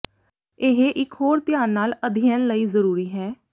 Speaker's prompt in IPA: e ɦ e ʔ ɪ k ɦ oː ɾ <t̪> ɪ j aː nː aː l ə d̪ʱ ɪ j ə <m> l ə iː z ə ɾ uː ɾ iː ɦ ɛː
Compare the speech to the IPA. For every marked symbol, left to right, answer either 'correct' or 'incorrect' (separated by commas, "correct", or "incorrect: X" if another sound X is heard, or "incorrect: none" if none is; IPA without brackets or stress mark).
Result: correct, incorrect: n